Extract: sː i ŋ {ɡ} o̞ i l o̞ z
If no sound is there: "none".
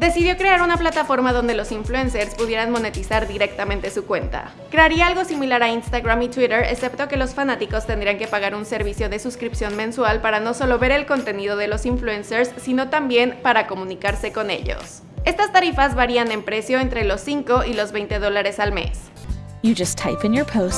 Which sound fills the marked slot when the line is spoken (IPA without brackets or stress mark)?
k